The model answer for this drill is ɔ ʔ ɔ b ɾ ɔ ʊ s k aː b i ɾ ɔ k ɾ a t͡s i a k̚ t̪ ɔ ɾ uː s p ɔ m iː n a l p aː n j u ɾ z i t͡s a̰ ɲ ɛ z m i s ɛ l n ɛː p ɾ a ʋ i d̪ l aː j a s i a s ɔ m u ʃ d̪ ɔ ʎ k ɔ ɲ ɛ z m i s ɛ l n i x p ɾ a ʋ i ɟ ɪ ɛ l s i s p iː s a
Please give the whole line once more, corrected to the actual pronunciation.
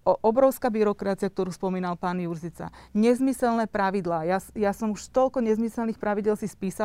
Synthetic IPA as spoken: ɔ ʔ ɔ b ɾ ɔ ʊ s k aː b i ɾ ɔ k ɾ a t͡s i a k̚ t̪ ɔ ɾ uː s p ɔ m iː n a l p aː n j u ɾ z i t͡s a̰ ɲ ɛ z m i s ɛ l n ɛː p ɾ a ʋ i d̪ l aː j a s j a s ɔ m u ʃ t̪ ɔ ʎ k ɔ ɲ ɛ z m i s ɛ l n i x p ɾ a ʋ i ɟ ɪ ɛ l s i s p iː s a